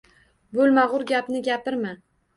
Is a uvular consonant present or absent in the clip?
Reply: present